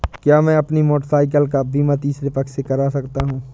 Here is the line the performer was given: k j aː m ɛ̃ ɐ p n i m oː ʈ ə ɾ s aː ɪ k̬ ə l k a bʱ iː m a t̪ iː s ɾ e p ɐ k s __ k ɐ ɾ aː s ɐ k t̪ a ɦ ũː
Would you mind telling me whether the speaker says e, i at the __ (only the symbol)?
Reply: e